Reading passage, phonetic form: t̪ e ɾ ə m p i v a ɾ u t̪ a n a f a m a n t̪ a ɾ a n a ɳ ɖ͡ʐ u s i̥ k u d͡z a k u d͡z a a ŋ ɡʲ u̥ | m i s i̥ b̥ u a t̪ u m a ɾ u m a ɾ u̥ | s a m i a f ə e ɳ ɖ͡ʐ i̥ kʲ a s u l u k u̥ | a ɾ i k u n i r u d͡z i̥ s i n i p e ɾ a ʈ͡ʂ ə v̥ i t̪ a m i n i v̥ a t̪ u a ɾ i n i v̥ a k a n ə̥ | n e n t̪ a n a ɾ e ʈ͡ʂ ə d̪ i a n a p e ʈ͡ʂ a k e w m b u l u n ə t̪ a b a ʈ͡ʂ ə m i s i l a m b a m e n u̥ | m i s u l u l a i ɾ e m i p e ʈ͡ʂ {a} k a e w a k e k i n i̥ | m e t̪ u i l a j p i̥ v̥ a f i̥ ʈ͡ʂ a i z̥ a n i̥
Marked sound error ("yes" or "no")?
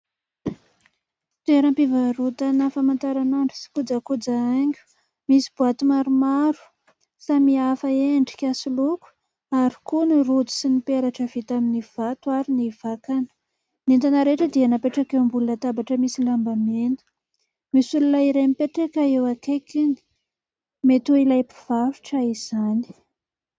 yes